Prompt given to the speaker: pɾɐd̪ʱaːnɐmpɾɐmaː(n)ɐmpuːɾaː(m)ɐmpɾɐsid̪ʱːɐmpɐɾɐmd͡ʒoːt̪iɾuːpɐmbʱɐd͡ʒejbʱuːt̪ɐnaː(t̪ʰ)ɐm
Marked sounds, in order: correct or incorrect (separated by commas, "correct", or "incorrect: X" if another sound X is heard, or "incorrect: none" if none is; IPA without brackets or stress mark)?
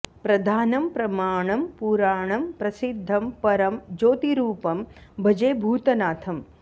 incorrect: ɳ, incorrect: ɳ, correct